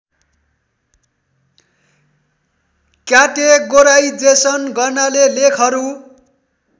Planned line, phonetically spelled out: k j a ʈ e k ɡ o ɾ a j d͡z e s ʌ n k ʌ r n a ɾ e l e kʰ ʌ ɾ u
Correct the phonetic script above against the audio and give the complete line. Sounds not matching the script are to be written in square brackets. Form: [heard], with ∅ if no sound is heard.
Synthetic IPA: k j a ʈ e [∅] ɡ o ɾ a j d͡z e s ʌ n [ɡ] ʌ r n a [l] e l e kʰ ʌ ɾ u